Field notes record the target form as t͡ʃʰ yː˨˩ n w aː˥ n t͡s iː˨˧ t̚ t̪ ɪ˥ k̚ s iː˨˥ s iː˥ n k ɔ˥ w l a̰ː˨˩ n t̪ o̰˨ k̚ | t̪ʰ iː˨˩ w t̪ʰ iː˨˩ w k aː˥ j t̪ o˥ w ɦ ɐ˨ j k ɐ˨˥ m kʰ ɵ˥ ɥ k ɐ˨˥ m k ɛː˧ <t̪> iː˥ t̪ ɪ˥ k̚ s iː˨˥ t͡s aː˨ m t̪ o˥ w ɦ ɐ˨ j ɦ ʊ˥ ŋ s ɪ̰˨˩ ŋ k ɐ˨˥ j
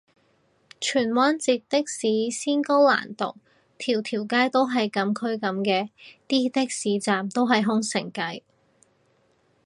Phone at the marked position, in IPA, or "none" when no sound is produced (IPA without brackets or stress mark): t̪